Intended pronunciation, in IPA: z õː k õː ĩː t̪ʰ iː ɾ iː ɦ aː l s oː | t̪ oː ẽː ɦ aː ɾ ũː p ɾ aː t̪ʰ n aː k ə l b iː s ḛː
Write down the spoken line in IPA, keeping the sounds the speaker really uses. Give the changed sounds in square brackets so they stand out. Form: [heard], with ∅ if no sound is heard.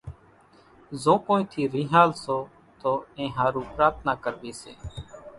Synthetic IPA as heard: z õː k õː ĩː t̪ʰ iː ɾ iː ɦ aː l s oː | t̪ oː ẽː ɦ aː ɾ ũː p ɾ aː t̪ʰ n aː k ə [ɾ] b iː s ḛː